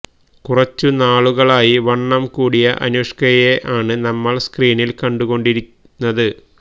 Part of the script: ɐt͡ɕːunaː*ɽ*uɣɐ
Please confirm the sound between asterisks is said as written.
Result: no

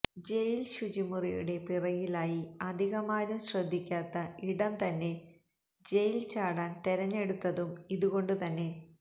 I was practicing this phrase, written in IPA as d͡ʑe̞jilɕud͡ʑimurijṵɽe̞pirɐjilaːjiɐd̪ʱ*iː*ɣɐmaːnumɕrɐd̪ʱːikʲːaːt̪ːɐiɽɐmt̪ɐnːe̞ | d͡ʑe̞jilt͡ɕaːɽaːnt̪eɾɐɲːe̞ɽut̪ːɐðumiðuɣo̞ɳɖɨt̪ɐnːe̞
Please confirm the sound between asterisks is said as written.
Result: no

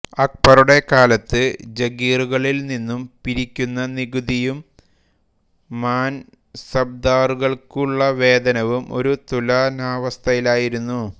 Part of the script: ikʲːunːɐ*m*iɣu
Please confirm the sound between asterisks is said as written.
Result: no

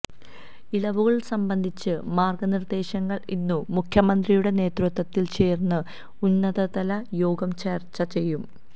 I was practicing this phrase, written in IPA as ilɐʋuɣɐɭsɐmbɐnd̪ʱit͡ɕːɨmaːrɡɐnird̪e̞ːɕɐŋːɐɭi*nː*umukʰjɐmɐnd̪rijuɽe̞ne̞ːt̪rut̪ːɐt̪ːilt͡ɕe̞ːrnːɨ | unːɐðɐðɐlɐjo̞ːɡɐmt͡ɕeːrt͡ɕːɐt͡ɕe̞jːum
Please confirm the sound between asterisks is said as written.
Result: yes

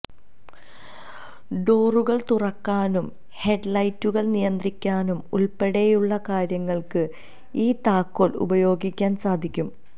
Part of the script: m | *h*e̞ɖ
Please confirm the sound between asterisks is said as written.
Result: yes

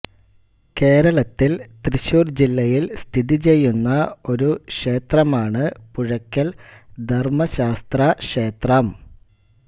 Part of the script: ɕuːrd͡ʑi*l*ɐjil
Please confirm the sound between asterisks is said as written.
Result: no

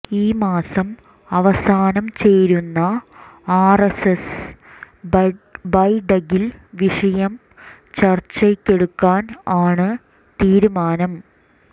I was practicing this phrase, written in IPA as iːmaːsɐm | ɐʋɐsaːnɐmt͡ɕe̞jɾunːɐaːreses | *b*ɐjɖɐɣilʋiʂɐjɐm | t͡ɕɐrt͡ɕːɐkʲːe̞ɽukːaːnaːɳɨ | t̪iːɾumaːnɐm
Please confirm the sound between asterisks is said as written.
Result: yes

